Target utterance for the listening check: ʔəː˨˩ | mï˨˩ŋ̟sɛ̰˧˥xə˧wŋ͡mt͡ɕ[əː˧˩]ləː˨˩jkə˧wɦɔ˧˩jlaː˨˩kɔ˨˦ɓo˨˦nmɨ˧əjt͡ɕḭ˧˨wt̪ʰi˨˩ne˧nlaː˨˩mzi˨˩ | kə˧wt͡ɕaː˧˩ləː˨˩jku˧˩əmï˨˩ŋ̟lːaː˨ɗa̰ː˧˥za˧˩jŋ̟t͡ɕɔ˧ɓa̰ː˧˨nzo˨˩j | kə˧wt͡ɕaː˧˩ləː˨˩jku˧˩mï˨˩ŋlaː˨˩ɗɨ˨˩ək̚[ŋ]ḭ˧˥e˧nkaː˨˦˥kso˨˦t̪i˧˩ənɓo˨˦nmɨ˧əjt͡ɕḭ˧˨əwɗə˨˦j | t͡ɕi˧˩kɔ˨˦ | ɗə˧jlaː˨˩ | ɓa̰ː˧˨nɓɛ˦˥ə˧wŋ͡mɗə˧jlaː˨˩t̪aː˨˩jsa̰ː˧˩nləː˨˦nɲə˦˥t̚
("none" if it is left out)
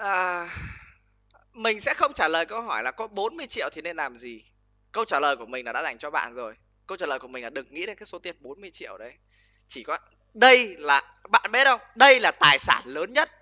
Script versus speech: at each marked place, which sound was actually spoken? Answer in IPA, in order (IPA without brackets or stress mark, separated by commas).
aː˧˩, ŋ